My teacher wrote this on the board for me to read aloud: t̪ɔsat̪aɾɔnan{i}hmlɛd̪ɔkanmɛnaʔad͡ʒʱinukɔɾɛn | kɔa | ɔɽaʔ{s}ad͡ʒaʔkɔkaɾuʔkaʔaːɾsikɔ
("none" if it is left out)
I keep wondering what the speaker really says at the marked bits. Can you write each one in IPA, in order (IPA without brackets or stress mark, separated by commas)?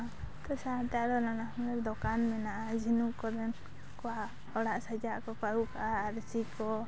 a, s